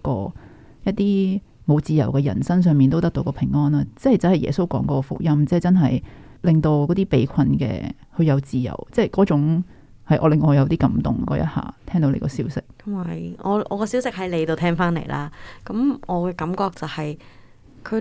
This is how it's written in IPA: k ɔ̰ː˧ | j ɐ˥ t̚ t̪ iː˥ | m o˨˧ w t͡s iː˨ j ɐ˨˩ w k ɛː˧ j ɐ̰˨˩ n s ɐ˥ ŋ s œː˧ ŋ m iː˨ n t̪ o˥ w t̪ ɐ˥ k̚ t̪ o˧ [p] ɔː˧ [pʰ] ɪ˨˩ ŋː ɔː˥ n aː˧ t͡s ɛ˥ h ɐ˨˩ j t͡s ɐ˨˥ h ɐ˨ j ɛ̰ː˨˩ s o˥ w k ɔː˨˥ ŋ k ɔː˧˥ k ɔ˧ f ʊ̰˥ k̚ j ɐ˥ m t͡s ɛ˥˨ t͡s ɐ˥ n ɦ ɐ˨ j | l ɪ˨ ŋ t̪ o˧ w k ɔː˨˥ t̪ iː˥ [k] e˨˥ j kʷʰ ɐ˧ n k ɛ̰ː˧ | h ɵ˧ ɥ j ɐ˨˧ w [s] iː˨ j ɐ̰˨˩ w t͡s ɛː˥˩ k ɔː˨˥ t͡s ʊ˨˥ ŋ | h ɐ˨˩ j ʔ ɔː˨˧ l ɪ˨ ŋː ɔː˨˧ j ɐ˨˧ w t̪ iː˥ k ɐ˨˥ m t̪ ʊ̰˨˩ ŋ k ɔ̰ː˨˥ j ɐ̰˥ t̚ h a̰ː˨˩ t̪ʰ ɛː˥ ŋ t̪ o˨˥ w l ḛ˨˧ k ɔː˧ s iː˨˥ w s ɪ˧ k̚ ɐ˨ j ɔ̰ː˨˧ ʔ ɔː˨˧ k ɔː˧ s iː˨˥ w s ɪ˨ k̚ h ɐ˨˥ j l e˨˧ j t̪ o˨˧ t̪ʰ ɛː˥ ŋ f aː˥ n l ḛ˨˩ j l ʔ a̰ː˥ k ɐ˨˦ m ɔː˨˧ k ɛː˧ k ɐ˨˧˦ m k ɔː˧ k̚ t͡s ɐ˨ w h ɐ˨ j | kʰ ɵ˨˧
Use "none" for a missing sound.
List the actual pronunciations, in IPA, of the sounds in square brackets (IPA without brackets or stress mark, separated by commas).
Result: k, pʰ, p, t͡s